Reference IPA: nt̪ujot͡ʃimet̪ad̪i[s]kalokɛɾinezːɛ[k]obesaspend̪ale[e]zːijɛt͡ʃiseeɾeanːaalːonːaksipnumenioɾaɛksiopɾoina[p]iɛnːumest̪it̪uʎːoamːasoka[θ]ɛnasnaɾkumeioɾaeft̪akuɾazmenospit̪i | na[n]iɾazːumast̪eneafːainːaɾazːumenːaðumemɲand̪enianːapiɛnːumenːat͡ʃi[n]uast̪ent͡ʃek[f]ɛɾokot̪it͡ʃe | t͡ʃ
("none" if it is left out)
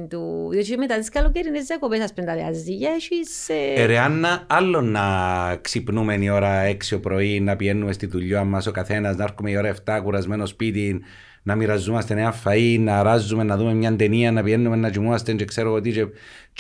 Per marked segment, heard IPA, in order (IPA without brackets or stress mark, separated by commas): s, k, a, p, θ, m, m, s